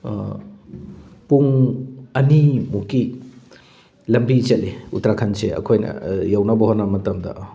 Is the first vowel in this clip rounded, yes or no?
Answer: yes